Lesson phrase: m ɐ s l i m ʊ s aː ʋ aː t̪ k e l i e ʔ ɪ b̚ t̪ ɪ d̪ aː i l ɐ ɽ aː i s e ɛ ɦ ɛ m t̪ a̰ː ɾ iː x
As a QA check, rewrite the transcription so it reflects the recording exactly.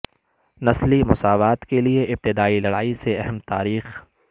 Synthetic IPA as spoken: n ɐ s l i m ʊ s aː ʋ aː t̪ k e l i e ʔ ɪ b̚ t̪ ɪ d̪ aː i l ɐ ɽ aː i s e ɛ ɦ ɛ m t̪ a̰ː ɾ iː x